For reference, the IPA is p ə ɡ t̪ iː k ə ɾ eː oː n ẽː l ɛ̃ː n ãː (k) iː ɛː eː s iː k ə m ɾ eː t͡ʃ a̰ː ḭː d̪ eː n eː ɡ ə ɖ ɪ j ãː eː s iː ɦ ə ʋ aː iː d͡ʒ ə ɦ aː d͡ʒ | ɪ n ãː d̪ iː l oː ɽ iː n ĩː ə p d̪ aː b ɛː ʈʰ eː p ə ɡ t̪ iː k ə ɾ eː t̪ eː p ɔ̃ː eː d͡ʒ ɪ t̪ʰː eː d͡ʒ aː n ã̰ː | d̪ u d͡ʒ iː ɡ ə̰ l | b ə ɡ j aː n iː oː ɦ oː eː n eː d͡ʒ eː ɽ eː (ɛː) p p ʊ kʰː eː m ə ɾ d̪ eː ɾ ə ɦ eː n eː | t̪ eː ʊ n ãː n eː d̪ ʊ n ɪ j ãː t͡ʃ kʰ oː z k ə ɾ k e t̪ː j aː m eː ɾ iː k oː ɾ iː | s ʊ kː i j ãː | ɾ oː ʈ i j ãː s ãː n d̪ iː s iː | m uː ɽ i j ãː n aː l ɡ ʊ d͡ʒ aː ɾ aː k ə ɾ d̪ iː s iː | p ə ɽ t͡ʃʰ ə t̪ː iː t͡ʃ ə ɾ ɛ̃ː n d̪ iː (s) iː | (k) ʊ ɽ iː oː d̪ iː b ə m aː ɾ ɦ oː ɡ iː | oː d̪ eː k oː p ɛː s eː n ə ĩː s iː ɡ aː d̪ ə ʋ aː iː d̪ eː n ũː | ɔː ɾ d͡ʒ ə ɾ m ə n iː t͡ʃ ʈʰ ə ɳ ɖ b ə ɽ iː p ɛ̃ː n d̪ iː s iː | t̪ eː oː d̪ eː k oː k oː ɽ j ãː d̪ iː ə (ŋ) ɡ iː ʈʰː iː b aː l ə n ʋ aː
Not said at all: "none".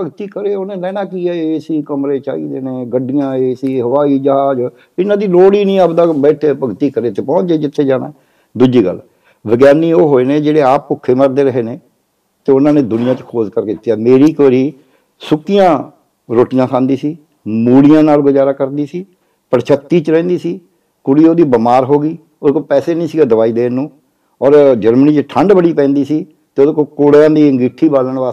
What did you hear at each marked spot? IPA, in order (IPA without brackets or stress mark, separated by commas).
k, aː, s, k, ŋ